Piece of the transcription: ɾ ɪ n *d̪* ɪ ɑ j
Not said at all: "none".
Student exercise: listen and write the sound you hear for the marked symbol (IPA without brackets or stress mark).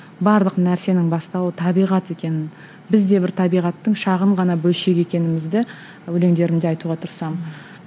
d̪